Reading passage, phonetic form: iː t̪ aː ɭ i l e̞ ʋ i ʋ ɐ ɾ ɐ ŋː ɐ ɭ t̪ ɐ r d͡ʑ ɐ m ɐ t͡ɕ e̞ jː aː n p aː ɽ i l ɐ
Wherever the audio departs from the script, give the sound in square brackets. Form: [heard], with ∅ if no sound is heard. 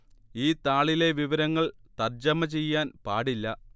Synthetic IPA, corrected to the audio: iː t̪ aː ɭ i l e̞ ʋ i ʋ ɐ ɾ ɐ ŋː ɐ ɭ t̪ ɐ r d͡ʑ ɐ m ɐ t͡ɕ e̞ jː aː n p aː ɽ i [lː] ɐ